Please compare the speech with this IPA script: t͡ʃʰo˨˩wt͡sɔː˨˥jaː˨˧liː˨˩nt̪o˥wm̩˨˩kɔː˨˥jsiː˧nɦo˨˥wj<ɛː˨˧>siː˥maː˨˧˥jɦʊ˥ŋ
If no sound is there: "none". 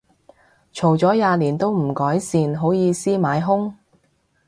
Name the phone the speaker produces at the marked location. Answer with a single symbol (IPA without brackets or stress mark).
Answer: iː˨˧